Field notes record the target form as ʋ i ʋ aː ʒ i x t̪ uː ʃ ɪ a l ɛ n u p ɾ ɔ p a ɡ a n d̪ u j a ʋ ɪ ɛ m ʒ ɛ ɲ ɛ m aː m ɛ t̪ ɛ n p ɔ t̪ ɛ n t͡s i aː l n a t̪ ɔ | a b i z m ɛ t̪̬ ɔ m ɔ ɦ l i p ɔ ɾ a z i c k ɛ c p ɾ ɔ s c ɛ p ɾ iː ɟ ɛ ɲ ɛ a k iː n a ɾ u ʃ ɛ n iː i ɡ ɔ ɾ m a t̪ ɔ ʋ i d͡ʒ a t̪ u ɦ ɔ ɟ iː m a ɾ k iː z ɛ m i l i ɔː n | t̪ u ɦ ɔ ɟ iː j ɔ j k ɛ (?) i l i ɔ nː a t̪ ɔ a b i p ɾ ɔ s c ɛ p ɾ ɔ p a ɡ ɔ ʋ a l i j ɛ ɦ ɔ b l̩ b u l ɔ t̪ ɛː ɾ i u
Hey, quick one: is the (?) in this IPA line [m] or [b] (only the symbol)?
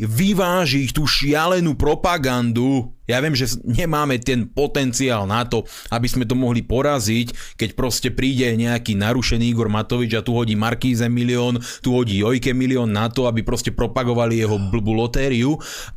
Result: m